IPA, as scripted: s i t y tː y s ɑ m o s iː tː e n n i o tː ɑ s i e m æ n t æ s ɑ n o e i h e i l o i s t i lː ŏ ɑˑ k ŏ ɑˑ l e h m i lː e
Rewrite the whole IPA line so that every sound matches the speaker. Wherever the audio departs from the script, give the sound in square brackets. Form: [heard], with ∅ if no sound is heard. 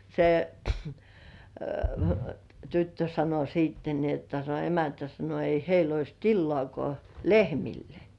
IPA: s [e] t y tː [ø] s ɑ [n] o s iː tː e n n i o tː ɑ s [e] e m æ n t æ s ɑ n o e i h e i l o i s t i lː ŏ ɑˑ k ŏ ɑˑ l e h m i lː e